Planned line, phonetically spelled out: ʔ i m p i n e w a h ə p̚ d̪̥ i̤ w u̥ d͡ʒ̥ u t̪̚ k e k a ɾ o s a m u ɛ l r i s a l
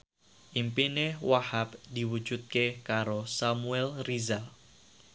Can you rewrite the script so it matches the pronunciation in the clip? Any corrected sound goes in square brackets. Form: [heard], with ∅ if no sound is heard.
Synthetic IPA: ʔ i m p i n e w a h [a] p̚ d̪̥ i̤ w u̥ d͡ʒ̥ u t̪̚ k e k a ɾ o s a m u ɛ l r i [z] a l